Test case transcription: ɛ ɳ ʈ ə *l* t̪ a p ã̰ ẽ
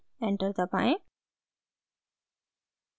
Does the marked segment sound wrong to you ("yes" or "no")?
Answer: yes